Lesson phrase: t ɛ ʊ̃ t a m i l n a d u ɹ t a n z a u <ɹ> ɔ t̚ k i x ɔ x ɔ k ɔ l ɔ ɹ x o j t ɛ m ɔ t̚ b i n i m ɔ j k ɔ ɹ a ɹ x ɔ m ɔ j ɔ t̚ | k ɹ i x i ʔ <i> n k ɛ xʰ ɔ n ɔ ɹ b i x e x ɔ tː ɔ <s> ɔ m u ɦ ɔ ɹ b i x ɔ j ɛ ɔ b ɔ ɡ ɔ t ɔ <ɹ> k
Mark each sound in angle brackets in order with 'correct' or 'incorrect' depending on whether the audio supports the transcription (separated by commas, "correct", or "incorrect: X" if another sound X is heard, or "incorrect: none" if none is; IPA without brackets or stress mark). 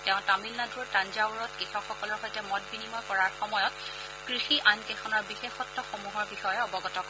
correct, incorrect: a, incorrect: x, incorrect: none